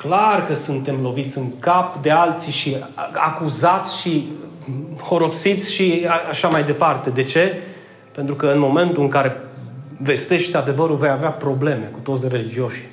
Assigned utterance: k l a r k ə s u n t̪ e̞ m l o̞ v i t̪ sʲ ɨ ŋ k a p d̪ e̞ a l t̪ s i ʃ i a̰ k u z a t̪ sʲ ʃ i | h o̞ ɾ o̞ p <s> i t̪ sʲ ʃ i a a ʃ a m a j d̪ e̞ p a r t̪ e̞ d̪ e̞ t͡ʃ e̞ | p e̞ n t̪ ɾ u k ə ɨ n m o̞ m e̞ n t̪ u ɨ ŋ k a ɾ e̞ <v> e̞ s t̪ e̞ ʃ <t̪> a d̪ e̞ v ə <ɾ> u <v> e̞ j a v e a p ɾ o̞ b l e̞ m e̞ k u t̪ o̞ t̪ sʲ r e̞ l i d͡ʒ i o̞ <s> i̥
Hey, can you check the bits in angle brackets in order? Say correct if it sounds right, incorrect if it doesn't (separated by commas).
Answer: correct, correct, correct, correct, correct, incorrect